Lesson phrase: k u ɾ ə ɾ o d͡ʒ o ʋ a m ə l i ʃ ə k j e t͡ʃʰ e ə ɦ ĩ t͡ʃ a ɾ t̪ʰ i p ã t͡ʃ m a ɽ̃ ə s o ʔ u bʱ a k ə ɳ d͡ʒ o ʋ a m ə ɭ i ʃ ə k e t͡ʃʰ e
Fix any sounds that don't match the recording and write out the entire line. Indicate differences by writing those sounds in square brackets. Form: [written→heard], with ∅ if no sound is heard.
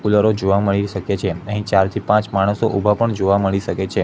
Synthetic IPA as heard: k u [ɾ→l] ə ɾ o d͡ʒ o ʋ a m ə [l→ɭ] i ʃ ə k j e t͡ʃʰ e ə ɦ ĩ t͡ʃ a ɾ t̪ʰ i p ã t͡ʃ m a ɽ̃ ə s o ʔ u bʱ a [k→p] ə ɳ d͡ʒ o ʋ a m ə ɭ i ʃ ə k e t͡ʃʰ e